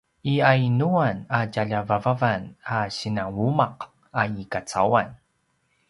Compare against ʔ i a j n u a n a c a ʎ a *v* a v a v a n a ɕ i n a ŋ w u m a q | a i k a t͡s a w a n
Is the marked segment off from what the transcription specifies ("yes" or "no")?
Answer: no